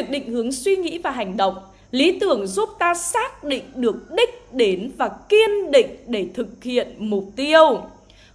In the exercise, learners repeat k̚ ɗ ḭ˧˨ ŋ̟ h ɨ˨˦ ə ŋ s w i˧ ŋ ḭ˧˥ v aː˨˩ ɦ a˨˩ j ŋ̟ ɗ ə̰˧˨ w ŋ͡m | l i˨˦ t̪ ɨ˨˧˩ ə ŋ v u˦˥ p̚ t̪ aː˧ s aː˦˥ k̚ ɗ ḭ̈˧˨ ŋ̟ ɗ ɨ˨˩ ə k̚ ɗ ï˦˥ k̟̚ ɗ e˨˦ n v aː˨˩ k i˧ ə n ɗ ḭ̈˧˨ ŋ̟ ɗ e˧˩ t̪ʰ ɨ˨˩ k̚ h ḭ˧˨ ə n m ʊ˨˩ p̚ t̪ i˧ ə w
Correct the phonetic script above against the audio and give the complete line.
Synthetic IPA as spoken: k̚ ɗ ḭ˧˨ ŋ̟ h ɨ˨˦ ə ŋ s w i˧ ŋ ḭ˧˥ v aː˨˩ ɦ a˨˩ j ŋ̟ ɗ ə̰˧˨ w ŋ͡m | l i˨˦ t̪ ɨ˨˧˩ ə ŋ z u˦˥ p̚ t̪ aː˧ s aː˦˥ k̚ ɗ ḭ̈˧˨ ŋ̟ ɗ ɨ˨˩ ə k̚ ɗ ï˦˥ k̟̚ ɗ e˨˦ n v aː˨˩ k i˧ ə n ɗ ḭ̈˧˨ ŋ̟ ɗ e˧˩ t̪ʰ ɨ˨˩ k̚ h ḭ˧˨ ə n m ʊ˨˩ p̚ t̪ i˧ ə w